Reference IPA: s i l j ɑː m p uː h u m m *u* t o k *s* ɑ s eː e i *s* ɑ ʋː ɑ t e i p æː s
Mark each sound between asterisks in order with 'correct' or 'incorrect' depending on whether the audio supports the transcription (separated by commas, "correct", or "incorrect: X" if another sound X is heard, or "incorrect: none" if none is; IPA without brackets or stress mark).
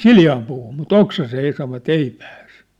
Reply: correct, correct, correct